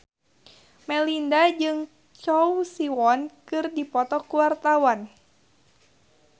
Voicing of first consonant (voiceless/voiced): voiced